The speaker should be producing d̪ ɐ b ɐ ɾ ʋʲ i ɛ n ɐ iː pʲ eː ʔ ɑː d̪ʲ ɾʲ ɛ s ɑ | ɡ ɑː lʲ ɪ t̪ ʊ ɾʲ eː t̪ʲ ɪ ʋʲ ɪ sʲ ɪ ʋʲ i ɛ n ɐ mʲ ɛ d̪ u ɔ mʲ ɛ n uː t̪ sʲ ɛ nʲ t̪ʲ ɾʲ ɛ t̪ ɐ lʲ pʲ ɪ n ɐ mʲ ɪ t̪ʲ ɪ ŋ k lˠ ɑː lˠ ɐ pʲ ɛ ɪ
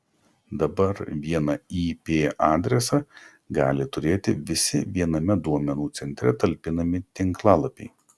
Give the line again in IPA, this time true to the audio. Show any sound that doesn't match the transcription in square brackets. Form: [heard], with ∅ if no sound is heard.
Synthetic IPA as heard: d̪ ɐ b ɐ ɾ ʋʲ i ɛ n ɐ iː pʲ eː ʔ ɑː d̪ʲ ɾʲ ɛ s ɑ | ɡ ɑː lʲ ɪ t̪ ʊ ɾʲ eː t̪ʲ ɪ ʋʲ ɪ sʲ ɪ ʋʲ i ɛ n ɐ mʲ ɛ d̪ u ɔ mʲ ɛ n uː t̪ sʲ ɛ nʲ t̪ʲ ɾʲ ɛ t̪ ɐ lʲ pʲ ɪ n ɐ mʲ ɪ t̪ʲ ɪ ŋ k lˠ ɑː lˠ ɐ pʲ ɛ ɪ